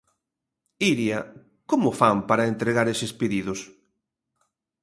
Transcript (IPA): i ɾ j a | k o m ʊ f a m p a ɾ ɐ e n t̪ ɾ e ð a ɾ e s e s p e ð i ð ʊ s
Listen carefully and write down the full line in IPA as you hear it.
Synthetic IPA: i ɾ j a | k o m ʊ f a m p a ɾ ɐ e n t̪ ɾ e ɣ a ɾ e s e s p e ð i ð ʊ s